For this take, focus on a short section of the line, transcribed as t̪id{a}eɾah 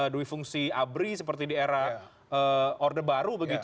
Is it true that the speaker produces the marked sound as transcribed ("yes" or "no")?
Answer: no